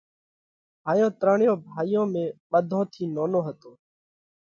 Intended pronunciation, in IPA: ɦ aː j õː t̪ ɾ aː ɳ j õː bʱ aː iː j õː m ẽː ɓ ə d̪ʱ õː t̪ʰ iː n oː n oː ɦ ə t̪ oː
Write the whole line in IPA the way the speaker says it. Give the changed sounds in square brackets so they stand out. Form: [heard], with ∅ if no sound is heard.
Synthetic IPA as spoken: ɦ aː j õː t̪ ɾ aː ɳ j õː bʱ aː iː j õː m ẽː ɓ ə d̪ʱ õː t̪ʰ iː n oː n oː ɦ ə t̪ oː